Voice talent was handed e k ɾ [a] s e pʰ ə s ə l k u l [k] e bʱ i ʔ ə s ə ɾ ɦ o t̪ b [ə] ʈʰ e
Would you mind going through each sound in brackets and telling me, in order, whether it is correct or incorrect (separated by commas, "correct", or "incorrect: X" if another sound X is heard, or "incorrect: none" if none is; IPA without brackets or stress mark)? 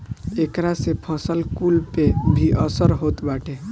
correct, incorrect: p, incorrect: a